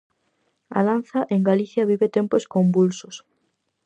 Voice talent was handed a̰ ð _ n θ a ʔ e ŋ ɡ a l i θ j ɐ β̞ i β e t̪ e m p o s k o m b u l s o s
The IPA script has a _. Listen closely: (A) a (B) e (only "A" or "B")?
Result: A